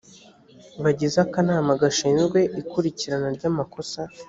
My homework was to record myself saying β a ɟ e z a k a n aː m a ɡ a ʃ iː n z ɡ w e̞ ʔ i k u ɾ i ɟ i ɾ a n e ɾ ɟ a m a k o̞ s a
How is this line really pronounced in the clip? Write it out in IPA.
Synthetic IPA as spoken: β a ɟ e z a k a n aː m a ɡ a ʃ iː n z ɡ w e̞ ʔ i k u ɾ i c i ɾ a n a ɾ ɟ a m a k o̞ s a